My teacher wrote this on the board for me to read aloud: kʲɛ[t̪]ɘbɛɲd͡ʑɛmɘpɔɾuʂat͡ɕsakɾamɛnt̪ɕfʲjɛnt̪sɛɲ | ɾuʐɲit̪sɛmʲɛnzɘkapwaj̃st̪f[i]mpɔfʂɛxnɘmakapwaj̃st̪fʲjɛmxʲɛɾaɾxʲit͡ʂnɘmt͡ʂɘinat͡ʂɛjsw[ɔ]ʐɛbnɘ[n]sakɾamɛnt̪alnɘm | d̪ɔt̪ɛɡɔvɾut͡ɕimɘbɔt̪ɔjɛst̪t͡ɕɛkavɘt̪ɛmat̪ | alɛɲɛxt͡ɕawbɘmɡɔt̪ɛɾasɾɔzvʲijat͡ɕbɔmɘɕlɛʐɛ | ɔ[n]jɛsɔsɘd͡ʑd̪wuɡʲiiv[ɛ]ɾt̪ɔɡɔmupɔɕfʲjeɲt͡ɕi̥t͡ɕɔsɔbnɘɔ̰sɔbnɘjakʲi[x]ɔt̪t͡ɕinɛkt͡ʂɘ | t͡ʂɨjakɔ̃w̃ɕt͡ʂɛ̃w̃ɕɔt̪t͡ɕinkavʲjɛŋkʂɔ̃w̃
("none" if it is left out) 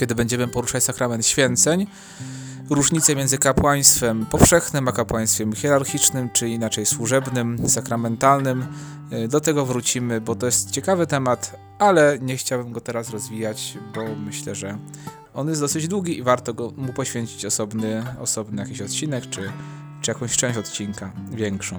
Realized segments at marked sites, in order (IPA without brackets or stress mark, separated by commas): d̪, ɛ, u, m, n, a, ɕ